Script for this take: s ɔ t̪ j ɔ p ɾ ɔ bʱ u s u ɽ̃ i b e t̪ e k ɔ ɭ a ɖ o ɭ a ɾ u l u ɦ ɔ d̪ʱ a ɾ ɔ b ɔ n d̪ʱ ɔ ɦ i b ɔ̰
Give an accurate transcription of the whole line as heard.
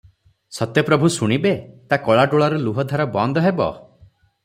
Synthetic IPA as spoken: s ɔ t̪ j ɔ p ɾ ɔ bʱ u s u ɽ̃ i b e t̪ a k ɔ ɭ a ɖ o ɭ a ɾ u l u ɦ ɔ d̪ʱ a ɾ ɔ b ɔ n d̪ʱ ɔ ɦ e b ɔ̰